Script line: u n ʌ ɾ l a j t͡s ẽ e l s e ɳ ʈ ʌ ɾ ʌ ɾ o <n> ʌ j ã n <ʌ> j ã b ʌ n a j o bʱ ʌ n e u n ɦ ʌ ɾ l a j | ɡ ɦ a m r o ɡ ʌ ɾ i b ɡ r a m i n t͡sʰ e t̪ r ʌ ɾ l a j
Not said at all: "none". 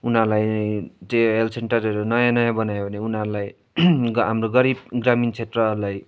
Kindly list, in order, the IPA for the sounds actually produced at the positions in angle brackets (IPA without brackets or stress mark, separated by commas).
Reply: n, ʌ